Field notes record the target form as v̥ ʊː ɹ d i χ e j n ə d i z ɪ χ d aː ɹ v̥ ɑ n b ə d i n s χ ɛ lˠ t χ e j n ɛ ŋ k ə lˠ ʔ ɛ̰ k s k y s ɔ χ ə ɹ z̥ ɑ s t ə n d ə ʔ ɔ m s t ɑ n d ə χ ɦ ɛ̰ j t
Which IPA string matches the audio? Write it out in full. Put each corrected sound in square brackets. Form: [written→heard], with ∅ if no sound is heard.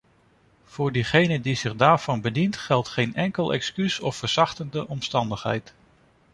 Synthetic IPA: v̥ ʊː ɹ d i χ e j n ə d i z ɪ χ d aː ɹ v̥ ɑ n b ə d i n [s→t] χ ɛ lˠ t χ e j n ɛ ŋ k ə lˠ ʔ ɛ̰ k s k y s ɔ [χ→f] ə ɹ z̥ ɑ [s→χ] t ə n d ə ʔ ɔ m s t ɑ n d ə χ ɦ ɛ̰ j t